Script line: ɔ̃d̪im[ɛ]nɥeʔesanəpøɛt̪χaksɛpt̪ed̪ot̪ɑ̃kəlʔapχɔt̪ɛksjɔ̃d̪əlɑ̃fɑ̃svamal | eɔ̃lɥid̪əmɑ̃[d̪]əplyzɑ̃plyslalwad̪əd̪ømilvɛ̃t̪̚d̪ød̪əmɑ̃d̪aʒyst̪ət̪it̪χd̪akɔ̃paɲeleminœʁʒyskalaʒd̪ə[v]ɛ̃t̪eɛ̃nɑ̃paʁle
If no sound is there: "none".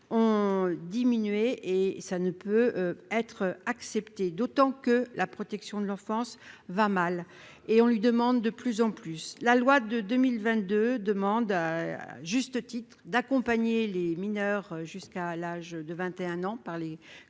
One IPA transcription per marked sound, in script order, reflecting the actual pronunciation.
i, d̪ː, v

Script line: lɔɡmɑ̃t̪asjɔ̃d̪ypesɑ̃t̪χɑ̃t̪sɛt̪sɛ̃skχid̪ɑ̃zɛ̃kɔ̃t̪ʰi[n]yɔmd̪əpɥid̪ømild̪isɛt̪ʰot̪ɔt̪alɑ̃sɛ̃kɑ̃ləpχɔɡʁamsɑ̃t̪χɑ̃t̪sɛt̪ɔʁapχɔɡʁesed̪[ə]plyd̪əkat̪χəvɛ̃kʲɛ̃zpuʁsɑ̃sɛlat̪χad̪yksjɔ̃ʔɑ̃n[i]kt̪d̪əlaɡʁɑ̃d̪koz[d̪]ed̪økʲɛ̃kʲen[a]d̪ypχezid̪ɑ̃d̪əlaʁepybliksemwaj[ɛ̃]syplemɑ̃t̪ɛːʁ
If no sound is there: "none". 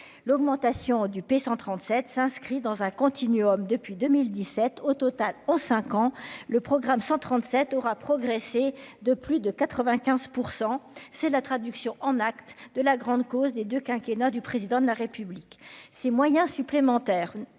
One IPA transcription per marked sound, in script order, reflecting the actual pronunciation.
n, ə, a, d̪, a, ɛ̃

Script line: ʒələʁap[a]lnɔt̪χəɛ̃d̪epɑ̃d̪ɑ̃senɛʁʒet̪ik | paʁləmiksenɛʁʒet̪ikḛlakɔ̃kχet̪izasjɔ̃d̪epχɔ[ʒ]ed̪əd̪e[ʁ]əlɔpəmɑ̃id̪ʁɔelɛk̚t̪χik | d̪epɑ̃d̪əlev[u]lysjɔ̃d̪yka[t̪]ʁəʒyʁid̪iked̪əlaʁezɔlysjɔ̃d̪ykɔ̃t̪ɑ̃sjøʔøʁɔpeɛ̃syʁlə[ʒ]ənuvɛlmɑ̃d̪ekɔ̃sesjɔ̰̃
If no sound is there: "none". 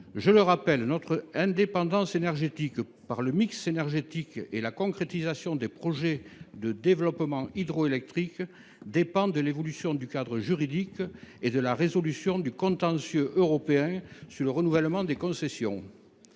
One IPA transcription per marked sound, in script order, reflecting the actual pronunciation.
ɛ, ʒ, v, ɔ, d̪, ʁ

